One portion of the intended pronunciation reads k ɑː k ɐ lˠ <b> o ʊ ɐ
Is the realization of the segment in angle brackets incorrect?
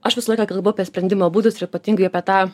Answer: no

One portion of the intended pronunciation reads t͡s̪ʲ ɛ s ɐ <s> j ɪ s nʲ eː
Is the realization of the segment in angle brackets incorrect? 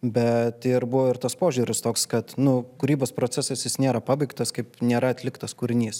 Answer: no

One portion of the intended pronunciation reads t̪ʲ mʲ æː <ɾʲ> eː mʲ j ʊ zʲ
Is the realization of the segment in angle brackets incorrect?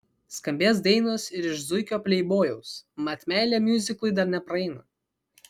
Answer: yes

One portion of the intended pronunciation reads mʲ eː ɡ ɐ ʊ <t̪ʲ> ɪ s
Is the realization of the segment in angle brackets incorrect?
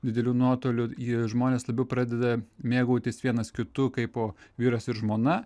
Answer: no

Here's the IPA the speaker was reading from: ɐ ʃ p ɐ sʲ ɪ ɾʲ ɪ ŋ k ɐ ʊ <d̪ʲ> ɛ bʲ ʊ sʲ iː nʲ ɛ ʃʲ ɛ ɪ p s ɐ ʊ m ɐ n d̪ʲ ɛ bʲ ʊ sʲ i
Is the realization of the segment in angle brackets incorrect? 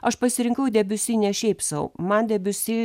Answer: no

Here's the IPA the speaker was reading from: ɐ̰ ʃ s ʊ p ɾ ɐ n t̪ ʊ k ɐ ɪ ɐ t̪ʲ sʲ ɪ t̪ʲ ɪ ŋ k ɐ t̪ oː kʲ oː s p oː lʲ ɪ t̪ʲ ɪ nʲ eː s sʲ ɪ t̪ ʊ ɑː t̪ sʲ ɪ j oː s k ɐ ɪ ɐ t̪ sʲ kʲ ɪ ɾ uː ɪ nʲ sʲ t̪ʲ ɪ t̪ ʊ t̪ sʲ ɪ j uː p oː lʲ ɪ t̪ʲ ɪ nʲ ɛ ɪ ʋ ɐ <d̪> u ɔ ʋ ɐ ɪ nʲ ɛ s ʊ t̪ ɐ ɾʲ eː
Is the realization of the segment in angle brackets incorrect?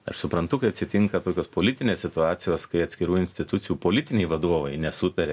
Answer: no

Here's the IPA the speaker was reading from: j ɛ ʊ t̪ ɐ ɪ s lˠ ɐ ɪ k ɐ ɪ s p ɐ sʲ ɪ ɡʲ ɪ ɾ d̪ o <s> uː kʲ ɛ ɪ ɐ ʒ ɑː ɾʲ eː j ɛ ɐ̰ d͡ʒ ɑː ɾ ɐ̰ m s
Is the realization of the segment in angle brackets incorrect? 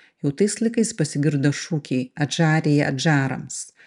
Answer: yes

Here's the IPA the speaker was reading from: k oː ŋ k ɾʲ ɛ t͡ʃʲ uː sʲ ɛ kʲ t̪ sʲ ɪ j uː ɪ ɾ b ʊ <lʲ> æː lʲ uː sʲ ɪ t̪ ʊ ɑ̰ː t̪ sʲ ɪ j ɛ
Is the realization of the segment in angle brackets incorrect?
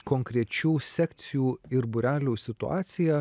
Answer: yes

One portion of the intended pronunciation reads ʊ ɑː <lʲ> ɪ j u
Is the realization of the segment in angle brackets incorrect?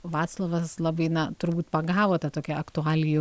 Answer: no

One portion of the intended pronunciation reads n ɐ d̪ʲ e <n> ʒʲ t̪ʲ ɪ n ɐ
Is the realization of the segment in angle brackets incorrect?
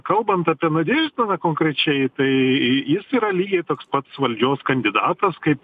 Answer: yes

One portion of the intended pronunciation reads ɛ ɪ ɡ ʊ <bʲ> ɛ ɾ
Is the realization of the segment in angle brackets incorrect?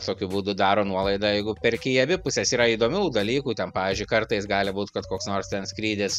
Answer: yes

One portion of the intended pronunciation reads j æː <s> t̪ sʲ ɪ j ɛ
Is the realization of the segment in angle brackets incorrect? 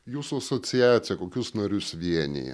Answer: yes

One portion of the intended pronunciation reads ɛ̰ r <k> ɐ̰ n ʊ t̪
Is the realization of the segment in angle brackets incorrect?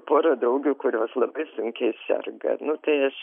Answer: yes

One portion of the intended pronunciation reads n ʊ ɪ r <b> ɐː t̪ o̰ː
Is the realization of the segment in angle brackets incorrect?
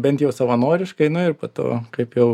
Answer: yes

